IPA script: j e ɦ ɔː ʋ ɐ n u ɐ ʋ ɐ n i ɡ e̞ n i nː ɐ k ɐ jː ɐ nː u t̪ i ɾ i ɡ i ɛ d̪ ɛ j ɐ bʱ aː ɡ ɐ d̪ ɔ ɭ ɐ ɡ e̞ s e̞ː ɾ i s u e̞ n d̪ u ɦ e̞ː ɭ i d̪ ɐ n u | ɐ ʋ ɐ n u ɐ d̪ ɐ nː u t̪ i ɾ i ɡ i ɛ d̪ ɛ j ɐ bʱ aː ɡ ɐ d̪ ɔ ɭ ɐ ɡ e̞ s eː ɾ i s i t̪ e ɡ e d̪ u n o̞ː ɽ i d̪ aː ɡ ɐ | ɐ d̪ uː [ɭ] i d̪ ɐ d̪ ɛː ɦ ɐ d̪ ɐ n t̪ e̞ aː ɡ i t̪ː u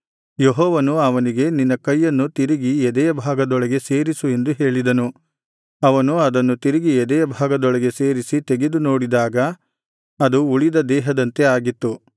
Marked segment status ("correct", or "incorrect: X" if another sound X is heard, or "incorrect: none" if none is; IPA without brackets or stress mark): correct